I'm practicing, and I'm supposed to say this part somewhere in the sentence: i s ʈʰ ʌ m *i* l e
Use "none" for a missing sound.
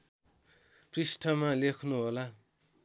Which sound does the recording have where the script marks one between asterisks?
a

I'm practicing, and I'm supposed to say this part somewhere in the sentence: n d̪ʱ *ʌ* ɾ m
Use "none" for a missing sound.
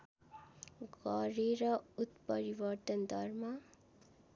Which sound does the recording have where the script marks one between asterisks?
ʌ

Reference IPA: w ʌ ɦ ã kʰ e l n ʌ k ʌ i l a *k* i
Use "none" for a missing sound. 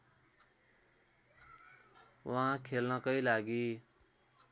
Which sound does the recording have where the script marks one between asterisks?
ɡ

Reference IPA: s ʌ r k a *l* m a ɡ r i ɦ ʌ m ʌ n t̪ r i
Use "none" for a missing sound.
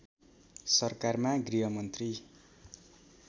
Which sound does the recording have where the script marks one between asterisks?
r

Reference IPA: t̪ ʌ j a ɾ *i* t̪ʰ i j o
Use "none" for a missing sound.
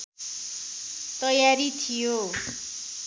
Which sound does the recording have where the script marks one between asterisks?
i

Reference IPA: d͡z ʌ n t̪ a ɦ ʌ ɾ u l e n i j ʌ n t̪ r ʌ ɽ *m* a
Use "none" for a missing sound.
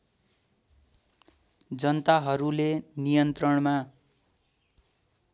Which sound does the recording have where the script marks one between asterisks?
m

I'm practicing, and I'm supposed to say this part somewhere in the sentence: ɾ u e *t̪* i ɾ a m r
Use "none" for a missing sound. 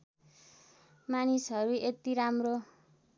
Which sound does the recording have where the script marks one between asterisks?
t̪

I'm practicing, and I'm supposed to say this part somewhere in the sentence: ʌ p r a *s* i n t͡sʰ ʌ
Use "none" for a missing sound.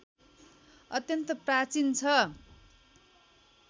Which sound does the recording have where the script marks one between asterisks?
t͡s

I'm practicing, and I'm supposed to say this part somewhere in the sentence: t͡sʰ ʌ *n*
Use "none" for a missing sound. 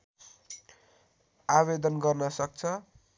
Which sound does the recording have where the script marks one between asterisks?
none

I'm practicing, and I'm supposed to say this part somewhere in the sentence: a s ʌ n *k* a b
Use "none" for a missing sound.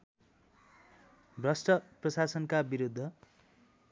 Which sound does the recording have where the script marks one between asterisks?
k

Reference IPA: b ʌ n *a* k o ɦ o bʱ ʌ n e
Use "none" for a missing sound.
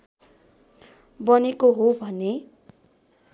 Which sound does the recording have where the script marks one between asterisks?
e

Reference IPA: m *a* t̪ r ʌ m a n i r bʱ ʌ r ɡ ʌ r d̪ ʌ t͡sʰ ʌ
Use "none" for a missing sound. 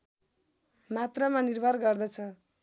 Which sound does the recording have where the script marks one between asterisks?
a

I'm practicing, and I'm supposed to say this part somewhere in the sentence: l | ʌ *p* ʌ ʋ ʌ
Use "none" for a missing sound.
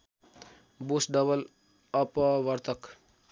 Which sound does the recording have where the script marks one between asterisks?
p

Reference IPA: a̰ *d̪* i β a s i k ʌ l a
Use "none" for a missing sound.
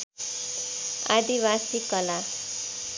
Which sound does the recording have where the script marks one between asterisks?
d̪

